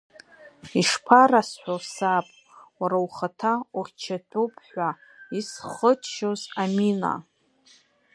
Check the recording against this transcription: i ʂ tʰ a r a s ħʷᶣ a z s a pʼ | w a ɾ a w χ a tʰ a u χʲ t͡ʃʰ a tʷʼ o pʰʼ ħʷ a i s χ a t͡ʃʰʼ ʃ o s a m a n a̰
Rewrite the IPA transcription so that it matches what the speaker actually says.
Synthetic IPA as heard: i ʂ pʰ a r a s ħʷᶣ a s a pʼ | w a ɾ a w χ a tʰ a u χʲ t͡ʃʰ a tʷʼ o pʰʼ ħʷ a i s χ ə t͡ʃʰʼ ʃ o z a m i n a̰